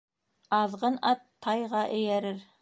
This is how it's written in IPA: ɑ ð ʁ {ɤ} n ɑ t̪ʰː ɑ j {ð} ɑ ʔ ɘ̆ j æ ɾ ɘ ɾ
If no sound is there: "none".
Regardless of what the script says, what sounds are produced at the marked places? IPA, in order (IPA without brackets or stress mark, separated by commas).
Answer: ɤ, ʁ